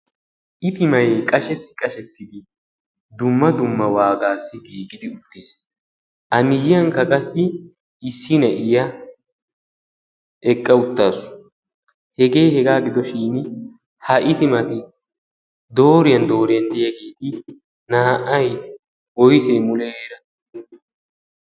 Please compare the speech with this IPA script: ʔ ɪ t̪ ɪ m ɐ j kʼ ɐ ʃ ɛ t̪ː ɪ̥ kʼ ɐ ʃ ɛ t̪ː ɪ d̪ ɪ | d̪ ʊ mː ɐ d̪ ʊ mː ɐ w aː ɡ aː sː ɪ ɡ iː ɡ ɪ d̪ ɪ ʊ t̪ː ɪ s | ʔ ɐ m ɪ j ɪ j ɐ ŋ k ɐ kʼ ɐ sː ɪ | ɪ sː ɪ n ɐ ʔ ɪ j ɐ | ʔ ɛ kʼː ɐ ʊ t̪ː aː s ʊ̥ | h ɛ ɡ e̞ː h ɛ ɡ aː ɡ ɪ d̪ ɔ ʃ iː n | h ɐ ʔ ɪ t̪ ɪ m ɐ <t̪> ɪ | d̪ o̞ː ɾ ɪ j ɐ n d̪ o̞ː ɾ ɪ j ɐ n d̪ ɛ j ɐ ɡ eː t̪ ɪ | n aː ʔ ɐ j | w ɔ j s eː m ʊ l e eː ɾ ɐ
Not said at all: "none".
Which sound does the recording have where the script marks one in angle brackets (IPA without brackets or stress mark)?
t̪